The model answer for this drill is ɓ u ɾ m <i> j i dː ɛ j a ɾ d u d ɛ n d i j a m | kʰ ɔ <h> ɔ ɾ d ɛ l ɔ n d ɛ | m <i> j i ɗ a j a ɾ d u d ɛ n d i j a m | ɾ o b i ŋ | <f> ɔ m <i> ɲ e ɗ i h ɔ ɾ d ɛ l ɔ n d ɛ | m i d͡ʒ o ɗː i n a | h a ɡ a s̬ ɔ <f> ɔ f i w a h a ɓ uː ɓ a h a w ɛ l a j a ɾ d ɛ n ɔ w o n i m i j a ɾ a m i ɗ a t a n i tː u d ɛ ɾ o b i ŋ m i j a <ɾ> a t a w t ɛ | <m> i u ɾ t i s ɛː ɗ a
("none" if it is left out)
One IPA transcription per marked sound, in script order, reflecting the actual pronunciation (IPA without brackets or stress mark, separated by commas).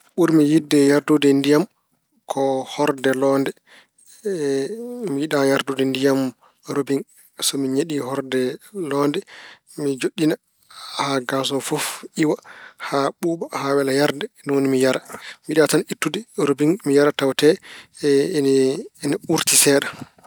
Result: i, h, i, s, i, f, ɾ, n